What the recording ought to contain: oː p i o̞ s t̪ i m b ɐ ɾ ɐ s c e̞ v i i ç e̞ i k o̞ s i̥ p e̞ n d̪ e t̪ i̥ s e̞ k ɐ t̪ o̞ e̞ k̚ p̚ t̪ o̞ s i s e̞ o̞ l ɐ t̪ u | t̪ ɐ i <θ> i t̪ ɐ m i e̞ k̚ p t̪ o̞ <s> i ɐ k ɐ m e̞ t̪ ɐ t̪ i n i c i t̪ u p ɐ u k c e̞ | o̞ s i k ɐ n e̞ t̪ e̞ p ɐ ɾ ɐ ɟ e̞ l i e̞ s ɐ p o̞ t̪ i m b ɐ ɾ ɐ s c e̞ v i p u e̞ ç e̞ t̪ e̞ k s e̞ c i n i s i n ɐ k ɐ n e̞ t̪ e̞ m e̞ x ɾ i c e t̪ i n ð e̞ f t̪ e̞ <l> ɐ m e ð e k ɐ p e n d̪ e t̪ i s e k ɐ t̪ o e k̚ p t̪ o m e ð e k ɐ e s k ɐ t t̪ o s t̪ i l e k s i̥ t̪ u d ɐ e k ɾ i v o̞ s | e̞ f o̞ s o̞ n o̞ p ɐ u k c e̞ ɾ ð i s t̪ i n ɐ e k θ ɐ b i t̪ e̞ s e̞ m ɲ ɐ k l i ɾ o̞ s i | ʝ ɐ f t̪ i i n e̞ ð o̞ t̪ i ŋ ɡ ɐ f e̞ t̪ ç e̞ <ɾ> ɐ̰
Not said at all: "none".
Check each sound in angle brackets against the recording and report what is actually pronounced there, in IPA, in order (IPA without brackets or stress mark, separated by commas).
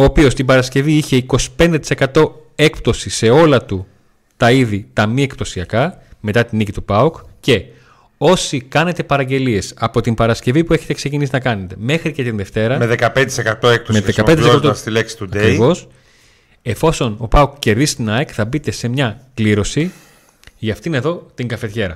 ð, s, ɾ, ɾ